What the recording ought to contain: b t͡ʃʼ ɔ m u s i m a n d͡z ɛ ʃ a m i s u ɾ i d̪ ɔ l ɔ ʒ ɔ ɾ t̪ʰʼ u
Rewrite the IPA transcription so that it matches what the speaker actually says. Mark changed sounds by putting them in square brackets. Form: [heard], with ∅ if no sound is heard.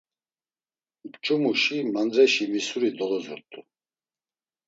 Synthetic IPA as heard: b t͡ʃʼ [u] m u [ʃ] i m a n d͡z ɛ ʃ [i] m i s u ɾ i d̪ ɔ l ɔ [z] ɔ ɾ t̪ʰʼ u